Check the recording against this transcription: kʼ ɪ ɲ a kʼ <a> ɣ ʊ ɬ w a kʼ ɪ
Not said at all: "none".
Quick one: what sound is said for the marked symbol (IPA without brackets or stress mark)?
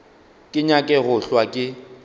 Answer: ɛ